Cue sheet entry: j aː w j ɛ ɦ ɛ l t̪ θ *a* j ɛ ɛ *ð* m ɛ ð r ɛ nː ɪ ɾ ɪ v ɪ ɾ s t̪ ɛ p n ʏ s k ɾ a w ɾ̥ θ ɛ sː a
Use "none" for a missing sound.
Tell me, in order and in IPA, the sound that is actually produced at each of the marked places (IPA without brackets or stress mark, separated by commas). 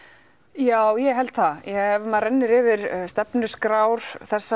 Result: a, v